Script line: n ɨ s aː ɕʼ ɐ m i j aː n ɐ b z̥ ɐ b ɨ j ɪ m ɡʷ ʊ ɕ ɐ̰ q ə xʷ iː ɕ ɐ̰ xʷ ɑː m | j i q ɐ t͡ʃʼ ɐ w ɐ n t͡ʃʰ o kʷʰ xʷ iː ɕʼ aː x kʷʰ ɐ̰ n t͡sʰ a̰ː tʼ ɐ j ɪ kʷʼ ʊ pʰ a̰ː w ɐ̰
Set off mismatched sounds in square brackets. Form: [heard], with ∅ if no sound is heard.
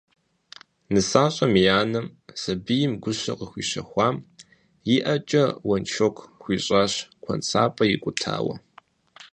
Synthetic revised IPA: n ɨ s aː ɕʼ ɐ m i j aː n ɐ [m] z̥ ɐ b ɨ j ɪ m ɡʷ ʊ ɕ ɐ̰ q ə xʷ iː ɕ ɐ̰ xʷ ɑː m | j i [ʔ] ɐ t͡ʃʼ ɐ w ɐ n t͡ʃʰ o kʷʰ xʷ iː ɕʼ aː [ɕ] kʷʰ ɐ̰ n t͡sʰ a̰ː [pʼ] ɐ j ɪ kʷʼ ʊ [tʰ] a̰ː w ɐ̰